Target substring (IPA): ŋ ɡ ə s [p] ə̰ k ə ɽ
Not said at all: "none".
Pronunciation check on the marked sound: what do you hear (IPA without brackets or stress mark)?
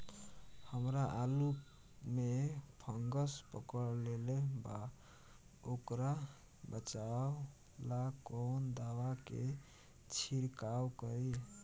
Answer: p